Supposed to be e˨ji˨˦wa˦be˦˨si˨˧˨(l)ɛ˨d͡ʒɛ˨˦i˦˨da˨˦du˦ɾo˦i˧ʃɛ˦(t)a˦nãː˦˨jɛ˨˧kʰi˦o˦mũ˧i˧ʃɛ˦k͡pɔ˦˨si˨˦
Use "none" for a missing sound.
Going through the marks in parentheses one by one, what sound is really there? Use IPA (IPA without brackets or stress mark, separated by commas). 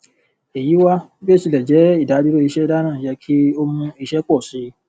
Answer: l, d